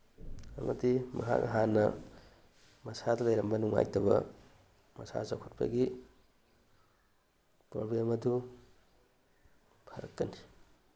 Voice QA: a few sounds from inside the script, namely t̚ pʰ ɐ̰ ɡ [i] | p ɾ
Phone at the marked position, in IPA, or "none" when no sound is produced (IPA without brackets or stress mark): i